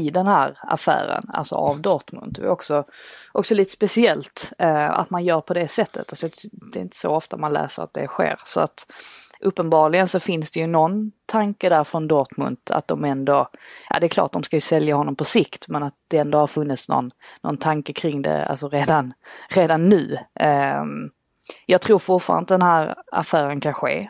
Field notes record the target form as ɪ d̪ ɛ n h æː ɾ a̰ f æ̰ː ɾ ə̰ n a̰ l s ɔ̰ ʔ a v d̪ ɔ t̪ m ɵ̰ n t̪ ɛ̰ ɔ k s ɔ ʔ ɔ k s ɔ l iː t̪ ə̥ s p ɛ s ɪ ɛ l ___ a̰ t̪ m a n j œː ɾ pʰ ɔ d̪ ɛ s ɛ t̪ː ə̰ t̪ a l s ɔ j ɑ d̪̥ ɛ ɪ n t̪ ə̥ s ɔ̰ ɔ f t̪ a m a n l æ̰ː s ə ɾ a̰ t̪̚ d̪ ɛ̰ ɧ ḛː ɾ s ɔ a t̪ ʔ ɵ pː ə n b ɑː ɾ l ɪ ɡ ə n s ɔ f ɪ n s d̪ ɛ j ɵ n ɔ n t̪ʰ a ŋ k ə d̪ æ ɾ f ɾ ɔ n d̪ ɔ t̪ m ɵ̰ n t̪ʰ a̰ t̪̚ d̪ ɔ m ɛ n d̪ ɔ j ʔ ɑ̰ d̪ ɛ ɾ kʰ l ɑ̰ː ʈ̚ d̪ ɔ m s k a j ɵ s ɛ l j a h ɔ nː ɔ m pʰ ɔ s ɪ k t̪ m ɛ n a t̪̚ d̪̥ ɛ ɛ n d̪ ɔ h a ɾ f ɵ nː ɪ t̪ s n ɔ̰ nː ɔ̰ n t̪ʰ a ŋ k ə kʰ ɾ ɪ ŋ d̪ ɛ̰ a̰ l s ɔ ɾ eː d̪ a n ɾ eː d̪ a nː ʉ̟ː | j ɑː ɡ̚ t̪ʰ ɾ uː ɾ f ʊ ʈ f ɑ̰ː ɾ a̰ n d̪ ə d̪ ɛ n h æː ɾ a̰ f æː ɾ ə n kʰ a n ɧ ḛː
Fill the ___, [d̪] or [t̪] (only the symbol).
t̪